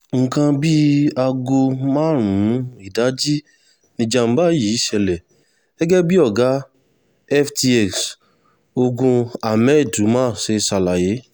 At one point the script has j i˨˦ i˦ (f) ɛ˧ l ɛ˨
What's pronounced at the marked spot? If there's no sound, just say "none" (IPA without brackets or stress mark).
ʃ